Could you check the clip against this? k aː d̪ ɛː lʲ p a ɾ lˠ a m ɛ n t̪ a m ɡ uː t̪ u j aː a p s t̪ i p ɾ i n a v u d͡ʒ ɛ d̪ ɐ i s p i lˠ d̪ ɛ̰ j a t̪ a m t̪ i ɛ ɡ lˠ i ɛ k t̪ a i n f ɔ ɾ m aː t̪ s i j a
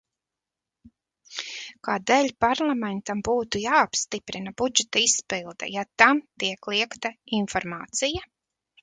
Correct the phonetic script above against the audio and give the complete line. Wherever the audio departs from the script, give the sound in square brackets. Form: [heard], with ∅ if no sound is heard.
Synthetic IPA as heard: k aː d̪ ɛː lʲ p a ɾ lˠ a m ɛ n t̪ a m [b] uː t̪ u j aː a p s t̪ i p ɾ i n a [b] u d͡ʒ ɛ [t̪] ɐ i s p i lˠ d̪ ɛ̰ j a t̪ a m t̪ i ɛ [k] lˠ i ɛ k t̪ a i n f ɔ ɾ m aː t̪ s i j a